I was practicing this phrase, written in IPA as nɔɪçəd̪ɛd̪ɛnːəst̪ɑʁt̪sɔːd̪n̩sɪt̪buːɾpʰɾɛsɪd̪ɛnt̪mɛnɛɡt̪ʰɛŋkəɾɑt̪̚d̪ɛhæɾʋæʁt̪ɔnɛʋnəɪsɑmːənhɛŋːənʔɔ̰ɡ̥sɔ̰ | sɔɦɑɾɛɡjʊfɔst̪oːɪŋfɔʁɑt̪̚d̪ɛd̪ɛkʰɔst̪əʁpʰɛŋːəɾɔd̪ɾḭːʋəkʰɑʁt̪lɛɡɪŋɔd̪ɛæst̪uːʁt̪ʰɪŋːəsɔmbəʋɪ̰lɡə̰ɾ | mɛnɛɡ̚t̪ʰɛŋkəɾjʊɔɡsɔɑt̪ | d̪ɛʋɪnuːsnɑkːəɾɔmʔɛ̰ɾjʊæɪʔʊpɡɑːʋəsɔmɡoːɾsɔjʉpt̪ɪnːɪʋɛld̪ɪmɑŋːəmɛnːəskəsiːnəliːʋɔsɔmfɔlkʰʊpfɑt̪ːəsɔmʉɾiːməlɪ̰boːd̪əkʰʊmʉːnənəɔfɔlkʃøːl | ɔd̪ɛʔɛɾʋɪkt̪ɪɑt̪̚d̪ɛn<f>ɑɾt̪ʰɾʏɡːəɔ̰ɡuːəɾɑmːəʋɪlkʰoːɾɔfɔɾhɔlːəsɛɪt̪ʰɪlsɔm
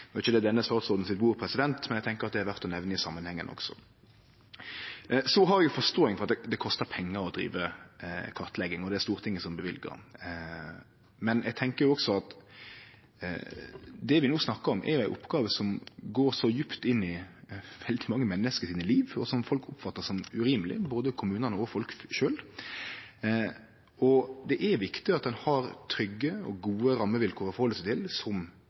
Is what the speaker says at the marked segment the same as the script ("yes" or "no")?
no